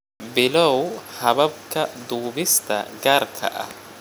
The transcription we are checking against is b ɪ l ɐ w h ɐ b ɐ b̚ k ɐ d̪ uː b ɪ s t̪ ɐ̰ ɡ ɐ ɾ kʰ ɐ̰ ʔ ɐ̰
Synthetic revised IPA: b ɪ l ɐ w h ɐ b ɐ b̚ k ɐ d̪ uː b ɪ s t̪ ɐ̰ ɡ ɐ ɾ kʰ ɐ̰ ʔ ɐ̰

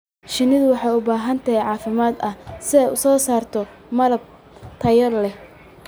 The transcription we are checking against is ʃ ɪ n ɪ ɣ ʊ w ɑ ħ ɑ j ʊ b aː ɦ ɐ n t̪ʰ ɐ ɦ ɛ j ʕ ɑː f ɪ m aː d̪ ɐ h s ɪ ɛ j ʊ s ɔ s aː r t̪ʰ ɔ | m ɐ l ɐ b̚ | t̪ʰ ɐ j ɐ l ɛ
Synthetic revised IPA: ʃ ɪ n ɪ ð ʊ w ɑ ħ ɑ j ʊ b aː ɦ ɐ n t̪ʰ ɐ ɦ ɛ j ʕ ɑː f ɪ m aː d̪ ɐ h s ɪ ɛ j ʊ s ɔː s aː r t̪ʰ ɔ | m ɐ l ɐ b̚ | t̪ʰ ɐ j ɐ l ɛ

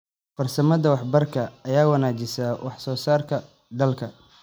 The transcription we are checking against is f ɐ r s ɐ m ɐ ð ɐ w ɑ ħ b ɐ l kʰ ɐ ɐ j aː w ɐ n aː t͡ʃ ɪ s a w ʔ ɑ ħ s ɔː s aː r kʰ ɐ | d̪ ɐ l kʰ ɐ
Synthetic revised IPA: f ɐ r s ɐ m ɐ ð ɐ w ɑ ħ b ɐ r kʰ ɐ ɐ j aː w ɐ n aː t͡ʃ ɪ s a w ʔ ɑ ħ s ɔː s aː r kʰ ɐ | d̪ ɐ l kʰ ɐ

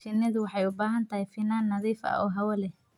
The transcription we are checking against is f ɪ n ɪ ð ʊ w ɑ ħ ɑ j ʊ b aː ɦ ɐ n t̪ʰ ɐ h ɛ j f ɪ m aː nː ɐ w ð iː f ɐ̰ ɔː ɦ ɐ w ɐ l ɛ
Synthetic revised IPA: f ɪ n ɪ ð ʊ w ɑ ħ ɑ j ʊ b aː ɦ ɐ n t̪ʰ ɐ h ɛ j f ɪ n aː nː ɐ ð iː f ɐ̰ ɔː ɦ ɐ w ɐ l ɛ

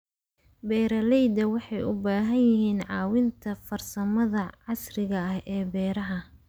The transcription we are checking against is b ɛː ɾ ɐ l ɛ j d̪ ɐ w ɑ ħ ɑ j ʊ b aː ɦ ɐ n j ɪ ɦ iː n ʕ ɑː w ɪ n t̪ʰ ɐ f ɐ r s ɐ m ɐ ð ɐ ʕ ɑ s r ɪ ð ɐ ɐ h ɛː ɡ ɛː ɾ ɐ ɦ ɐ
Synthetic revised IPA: b ɛː ɾ ɐ l ɛ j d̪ ɐ w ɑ ħ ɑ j ʊ b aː ɦ ɐ n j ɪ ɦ iː n ʕ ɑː w ɪ n t̪ʰ ɐ f ɐ r s ɐ m ɐ ð ɐ ʕ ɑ s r ɪ ɣ ɐ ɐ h ɛː b ɛː ɾ ɐ ɦ ɐ

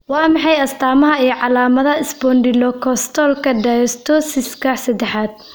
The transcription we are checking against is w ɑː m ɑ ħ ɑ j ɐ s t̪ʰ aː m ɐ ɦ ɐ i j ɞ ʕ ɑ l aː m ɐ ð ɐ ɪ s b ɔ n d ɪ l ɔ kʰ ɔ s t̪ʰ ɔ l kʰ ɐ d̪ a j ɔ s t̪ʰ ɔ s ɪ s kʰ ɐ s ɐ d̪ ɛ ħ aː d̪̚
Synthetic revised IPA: w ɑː m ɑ ħ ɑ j ɐ s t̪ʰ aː m ɐ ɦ ɐ i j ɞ ʕ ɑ l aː m ɐ ð ɐ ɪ s b ɔ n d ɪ l ɔ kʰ ɔ s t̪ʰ ɔ l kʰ ɐ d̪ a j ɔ s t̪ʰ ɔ s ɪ s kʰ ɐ s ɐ d̪ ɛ ħ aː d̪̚

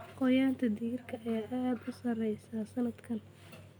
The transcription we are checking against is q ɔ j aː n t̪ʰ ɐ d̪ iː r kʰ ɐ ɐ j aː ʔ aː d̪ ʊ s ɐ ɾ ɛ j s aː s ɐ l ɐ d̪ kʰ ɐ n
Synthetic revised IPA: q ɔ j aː n t̪ʰ ɐ d̪ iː r kʰ ɐ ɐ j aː ʔ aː d̪ ʊ s ɐ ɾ ɛ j s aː s ɐ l ɐ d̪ kʰ ɐ n

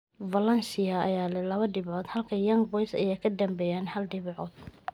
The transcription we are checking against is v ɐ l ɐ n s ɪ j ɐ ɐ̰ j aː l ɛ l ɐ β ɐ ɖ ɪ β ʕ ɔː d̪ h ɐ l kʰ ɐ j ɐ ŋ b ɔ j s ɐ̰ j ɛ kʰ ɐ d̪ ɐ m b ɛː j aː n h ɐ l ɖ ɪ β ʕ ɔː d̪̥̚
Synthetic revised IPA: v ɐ l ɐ n s ɪ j ɐ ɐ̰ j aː l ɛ l ɐ β ɐ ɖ ɪ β ʕ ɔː d̪ h ɐ l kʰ ɐ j ɐ ŋ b ɔ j s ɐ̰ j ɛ kʰ ɐ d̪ ɐ m b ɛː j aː n h ɐ l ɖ ɪ β ʕ ɔː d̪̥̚

